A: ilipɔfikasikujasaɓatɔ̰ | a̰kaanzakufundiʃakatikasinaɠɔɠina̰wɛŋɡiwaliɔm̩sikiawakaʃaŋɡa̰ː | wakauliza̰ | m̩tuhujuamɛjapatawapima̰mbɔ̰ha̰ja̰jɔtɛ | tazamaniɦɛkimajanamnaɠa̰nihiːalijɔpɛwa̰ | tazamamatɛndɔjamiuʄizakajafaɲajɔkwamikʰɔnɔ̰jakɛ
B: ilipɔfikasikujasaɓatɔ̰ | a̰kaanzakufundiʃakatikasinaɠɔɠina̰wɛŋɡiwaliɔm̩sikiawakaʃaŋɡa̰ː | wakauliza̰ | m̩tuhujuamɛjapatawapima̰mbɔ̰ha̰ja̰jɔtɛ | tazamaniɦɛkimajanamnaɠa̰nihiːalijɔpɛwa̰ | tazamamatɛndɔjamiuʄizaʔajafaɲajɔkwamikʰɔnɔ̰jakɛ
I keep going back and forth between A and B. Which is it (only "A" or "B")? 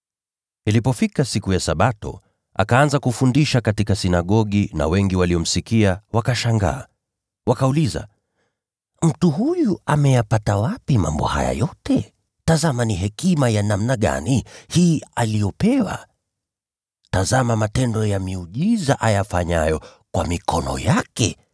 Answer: B